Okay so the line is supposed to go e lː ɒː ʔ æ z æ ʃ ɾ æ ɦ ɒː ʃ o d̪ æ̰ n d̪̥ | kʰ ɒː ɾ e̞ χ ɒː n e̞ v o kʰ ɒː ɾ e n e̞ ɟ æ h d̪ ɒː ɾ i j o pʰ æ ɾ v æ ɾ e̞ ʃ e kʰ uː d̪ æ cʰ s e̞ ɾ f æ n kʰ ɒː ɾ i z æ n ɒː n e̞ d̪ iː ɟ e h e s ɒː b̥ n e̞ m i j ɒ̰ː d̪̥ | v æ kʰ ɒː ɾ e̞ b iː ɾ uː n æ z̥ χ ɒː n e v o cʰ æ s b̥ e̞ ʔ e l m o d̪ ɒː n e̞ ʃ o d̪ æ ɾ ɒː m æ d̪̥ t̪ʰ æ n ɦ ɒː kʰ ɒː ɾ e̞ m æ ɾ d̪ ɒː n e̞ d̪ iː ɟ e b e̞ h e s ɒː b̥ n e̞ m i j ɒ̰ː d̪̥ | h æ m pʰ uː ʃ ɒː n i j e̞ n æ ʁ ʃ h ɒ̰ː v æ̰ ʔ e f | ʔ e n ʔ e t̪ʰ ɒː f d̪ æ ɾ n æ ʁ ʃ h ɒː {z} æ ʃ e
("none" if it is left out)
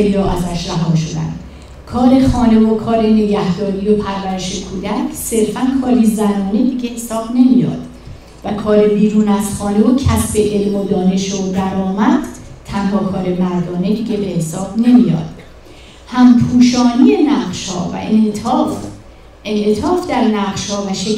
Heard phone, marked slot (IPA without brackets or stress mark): v